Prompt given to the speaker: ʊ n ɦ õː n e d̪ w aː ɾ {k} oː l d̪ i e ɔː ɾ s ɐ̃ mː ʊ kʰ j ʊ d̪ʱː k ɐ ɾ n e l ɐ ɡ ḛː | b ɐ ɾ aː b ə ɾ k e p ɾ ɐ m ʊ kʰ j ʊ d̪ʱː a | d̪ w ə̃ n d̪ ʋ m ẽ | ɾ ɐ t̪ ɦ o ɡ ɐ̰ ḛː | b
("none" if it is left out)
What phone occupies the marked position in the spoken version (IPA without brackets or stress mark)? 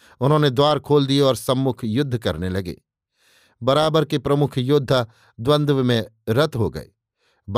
kʰ